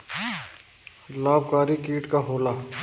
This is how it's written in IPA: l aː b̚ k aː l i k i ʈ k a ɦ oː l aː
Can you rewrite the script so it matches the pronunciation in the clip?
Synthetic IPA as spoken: l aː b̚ k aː ɾ i k iː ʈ k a ɦ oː l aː